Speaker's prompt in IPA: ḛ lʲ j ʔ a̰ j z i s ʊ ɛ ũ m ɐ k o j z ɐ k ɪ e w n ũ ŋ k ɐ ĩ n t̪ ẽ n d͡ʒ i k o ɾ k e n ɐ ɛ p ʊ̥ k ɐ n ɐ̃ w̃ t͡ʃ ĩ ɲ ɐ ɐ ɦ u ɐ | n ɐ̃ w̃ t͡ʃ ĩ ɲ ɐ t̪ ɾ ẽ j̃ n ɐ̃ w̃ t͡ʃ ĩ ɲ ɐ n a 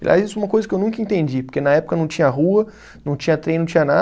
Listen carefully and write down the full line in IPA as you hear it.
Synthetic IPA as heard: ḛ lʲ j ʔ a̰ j z i s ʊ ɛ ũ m ɐ k o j z ɐ k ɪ e w n ũ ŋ k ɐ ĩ n t̪ ẽ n d͡ʒ i p o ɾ k e n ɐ ɛ p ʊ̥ k ɐ n ɐ̃ w̃ t͡ʃ ĩ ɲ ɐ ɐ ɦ u ɐ | n ɐ̃ w̃ t͡ʃ ĩ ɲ ɐ t̪ ɾ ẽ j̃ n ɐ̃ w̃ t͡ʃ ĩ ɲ ɐ n a